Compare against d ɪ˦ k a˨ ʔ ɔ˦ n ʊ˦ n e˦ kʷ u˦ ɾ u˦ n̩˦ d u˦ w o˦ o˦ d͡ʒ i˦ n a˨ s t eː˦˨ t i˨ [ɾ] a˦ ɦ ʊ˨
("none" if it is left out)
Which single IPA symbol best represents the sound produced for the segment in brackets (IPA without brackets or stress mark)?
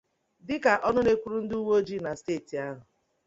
none